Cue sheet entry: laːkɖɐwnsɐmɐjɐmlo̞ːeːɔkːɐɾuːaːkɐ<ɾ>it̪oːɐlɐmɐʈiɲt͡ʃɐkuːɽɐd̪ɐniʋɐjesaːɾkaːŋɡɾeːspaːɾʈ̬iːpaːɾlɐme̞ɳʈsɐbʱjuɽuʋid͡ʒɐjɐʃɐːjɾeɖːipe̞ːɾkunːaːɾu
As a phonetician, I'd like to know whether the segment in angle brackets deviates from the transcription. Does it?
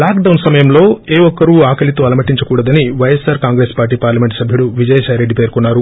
yes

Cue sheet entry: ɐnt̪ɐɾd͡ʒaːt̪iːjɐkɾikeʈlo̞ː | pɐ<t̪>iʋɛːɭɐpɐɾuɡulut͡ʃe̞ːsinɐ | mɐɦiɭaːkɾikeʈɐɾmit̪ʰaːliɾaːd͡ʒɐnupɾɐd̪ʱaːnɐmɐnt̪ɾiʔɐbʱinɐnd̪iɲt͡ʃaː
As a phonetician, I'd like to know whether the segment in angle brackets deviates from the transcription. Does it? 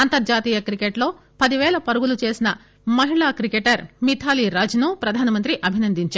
yes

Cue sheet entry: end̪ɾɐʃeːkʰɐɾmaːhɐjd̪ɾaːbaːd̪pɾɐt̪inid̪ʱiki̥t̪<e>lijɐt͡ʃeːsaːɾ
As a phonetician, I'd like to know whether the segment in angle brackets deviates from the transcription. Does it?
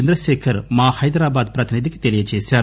no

